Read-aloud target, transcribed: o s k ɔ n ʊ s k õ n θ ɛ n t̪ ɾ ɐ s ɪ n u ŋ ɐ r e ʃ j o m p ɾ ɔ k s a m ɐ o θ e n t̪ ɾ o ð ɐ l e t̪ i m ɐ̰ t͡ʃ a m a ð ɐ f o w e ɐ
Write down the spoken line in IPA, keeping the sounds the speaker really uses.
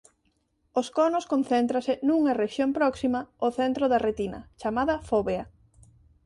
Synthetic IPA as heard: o s k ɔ n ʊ s k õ n θ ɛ n t̪ ɾ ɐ s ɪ n u ŋ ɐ r e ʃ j o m p ɾ ɔ k s i m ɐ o θ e n t̪ ɾ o ð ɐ r e t̪ i n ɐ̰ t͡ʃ a m a ð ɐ f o β e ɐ